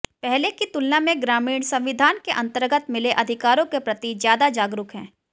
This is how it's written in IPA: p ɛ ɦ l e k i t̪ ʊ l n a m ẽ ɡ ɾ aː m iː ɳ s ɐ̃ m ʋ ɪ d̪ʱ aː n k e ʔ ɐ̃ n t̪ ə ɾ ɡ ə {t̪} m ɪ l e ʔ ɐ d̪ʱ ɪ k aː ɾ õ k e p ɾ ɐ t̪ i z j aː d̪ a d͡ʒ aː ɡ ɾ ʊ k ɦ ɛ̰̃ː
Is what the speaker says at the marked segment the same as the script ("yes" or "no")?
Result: yes